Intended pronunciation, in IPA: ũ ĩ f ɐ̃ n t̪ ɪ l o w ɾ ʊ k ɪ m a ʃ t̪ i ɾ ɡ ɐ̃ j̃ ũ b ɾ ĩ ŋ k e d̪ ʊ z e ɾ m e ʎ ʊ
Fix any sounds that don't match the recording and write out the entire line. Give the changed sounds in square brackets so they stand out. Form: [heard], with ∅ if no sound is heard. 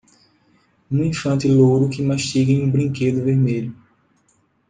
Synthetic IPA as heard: ũ ĩ f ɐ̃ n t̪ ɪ l o w ɾ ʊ k ɪ m a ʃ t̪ i [∅] ɡ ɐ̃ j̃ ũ b ɾ ĩ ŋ k e d̪ ʊ [v] e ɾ m e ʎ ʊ

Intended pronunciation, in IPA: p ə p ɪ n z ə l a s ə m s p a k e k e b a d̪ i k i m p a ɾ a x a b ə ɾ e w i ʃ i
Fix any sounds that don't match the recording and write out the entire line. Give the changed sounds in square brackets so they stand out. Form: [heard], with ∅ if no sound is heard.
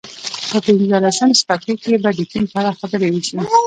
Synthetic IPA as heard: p ə p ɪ n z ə l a s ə m s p a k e k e b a d̪ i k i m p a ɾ a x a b ə ɾ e w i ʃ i

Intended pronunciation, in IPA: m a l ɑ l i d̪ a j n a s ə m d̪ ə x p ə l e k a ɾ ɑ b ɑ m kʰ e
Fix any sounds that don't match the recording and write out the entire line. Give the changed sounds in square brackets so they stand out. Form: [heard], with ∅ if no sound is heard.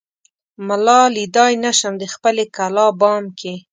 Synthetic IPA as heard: m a l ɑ l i d̪ [ɑ] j n a [ʃ] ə m d̪ ə x p ə l e k a [l] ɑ b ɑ m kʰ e

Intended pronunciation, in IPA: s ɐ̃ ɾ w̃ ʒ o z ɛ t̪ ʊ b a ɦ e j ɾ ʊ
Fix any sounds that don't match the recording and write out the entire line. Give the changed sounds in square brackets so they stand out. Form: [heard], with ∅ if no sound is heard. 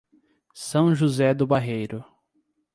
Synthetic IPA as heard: s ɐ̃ [∅] w̃ ʒ [u] z ɛ [d̪] ʊ b a ɦ e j ɾ ʊ

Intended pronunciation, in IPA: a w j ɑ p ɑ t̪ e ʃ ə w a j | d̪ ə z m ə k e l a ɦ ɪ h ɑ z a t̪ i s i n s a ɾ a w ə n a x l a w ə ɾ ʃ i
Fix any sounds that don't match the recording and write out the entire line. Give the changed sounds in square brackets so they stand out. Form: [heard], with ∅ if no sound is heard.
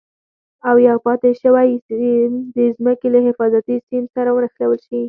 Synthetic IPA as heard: a w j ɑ p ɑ t̪ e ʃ ə w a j | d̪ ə z m ə k e l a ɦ ɪ [f] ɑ z a t̪ i s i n s a ɾ a w ə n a x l a w ə [l] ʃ i

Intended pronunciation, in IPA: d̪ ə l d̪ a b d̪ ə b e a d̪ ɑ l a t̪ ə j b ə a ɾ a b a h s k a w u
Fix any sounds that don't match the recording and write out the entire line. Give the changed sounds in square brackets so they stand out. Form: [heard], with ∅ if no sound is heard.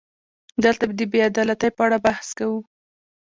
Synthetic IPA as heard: d̪ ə l [t̪] a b d̪ ə b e a d̪ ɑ l a t̪ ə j [p] ə a [ɽ] a b a h s k a w u

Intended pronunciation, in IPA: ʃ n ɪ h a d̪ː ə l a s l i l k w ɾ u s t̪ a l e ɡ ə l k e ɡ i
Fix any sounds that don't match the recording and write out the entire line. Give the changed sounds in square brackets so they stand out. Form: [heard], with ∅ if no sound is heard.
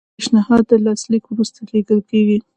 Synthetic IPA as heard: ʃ n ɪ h [ɑ] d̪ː ə l [ɑ] s l i [∅] k w ɾ u s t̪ a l e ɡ ə l k e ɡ i

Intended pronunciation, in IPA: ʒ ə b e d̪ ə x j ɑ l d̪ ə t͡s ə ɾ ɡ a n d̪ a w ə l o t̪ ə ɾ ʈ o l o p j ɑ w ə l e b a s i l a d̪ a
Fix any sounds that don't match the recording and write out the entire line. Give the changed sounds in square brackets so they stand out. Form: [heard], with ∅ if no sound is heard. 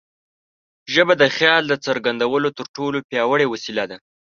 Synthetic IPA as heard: ʒ ə b [a] d̪ ə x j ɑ l d̪ ə t͡s ə ɾ ɡ a n d̪ a w ə l o t̪ ə ɾ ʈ o l o p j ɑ w ə [ɽ] e [w] a s i l a d̪ a

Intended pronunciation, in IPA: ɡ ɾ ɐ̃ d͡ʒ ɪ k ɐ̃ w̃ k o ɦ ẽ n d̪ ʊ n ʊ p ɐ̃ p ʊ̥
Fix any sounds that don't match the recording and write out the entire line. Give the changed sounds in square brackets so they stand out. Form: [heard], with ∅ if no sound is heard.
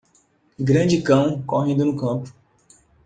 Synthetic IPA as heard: ɡ ɾ ɐ̃ d͡ʒ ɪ k ɐ̃ w̃ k o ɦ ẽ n d̪ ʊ n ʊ [k] ɐ̃ p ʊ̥

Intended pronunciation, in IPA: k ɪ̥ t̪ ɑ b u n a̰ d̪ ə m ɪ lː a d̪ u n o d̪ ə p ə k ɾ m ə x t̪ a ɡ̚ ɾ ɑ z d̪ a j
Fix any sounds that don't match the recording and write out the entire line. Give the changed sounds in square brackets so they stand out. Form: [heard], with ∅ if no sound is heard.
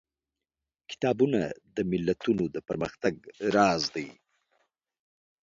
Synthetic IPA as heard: k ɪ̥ t̪ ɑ b u n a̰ d̪ ə m ɪ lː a [t̪] u n o d̪ ə p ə [∅] ɾ m ə x t̪ a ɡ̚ ɾ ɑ z d̪ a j

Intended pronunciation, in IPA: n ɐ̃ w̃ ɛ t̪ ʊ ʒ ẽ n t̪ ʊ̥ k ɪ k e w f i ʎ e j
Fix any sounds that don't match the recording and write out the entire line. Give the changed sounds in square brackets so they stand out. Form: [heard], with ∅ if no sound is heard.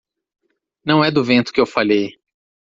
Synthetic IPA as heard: n ɐ̃ w̃ ɛ [d̪] ʊ [v] ẽ n t̪ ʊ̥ k ɪ [∅] e w f [a] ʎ e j

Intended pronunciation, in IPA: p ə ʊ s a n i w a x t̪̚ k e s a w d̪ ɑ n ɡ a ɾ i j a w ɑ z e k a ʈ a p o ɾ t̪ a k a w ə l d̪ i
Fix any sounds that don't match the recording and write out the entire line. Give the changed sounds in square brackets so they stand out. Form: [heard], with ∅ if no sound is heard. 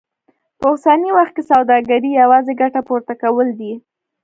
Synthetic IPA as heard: p ə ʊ s a n i w a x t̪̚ k e s a w d̪ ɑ [∅] ɡ a ɾ i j a w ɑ z e [ɡ] a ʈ a p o ɾ t̪ a k a w ə l d̪ i

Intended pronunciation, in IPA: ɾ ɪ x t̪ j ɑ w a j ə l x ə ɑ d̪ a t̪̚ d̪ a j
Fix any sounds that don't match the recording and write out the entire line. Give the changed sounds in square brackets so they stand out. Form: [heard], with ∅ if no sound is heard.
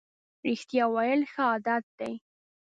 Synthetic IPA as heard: ɾ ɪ x t̪ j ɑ w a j ə l x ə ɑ d̪ a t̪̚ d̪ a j

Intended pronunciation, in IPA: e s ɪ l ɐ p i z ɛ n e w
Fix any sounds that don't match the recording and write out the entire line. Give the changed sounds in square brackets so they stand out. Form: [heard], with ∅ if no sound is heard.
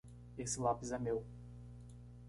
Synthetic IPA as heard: e s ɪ l [a] p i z ɛ [m] e w

